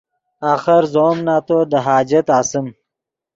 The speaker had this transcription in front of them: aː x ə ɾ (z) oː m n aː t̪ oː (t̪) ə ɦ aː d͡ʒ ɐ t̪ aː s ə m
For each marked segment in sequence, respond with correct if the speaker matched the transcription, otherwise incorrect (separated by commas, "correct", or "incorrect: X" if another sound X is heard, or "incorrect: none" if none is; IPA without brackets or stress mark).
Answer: correct, incorrect: d̪